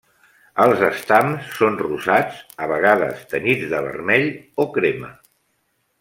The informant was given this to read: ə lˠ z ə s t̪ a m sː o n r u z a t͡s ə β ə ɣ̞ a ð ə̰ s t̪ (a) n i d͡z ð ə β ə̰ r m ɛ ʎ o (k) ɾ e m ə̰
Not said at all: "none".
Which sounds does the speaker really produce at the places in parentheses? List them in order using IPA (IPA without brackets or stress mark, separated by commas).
ə, k